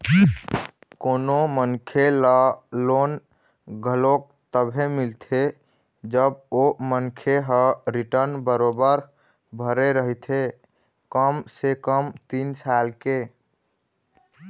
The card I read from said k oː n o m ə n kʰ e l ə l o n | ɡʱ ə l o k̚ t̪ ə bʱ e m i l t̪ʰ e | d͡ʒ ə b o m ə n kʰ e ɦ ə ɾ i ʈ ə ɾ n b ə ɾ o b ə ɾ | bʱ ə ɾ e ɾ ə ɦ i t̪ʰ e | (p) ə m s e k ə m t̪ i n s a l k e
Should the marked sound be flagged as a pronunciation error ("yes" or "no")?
yes